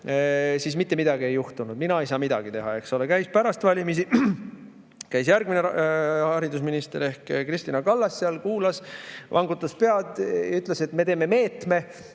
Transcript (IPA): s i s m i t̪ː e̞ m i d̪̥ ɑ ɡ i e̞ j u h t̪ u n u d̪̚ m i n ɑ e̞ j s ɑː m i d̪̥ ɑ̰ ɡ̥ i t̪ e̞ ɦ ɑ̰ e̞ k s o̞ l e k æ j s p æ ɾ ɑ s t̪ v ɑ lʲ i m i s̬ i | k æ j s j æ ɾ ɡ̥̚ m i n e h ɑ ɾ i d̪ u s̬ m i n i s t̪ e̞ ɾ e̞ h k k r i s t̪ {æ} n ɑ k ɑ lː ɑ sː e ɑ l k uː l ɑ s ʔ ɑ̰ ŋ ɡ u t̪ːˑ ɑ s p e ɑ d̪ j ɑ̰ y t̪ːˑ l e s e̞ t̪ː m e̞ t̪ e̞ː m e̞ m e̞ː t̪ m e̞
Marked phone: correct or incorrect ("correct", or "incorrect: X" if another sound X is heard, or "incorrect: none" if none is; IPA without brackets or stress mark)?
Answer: incorrect: i